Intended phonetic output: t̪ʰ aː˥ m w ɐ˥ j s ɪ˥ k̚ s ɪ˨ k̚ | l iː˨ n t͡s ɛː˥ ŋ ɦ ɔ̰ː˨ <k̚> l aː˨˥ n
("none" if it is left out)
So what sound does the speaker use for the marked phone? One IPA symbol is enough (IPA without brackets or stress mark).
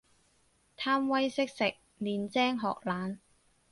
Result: k̚